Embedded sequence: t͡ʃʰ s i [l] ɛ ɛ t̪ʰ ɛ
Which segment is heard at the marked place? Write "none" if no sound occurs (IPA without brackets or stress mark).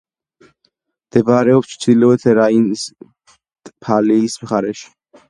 l